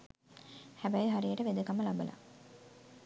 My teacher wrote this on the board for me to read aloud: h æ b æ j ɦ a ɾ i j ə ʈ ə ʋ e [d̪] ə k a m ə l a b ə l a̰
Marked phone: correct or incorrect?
correct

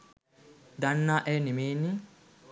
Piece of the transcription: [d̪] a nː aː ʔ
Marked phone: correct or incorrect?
correct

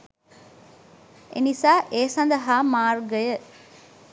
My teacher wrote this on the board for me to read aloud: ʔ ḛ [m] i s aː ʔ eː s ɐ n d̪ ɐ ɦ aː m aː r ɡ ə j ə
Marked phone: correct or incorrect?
incorrect: n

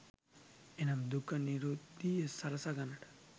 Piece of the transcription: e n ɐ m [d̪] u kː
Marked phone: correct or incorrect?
correct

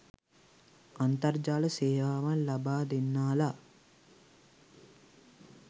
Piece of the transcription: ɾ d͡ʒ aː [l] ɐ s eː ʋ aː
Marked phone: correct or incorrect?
correct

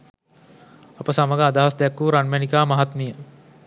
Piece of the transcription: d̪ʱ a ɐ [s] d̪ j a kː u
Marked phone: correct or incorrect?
correct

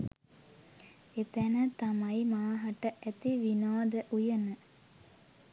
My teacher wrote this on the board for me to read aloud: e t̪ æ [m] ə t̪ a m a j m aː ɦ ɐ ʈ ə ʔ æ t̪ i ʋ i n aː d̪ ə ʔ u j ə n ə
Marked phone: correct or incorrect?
incorrect: n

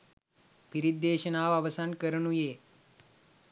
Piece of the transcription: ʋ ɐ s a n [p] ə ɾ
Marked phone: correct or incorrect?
incorrect: k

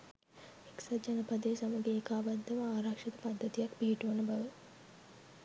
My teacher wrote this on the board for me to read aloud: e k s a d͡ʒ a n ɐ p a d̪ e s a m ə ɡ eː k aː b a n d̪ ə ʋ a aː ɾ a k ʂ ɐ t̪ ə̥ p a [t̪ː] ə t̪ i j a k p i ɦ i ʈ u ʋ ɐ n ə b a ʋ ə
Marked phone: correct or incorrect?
incorrect: d̪ː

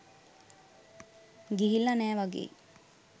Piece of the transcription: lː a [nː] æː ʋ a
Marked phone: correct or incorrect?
incorrect: n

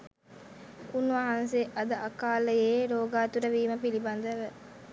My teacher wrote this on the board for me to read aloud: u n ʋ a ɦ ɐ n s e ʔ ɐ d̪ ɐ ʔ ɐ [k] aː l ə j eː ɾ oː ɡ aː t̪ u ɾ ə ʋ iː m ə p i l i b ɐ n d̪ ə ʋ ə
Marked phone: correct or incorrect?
correct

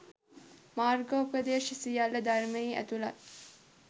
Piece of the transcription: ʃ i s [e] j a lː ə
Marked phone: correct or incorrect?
incorrect: i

